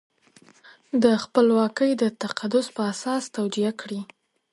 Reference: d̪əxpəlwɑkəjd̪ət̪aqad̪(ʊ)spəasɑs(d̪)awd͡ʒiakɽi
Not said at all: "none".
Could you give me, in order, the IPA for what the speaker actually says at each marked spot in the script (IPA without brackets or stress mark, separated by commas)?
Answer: ʊ, t̪